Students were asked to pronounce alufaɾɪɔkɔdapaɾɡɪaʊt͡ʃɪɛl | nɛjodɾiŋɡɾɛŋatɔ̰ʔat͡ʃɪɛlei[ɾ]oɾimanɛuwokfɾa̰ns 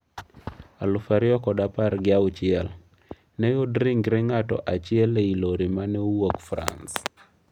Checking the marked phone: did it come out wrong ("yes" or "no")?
yes